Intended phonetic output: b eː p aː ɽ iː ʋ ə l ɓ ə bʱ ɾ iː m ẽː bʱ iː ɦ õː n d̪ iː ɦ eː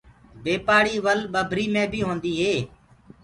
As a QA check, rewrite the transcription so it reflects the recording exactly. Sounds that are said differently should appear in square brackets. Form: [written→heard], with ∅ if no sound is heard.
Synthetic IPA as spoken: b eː p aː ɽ iː ʋ ə l ɓ ə bʱ ɾ iː m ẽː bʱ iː ɦ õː n d̪ iː ɦ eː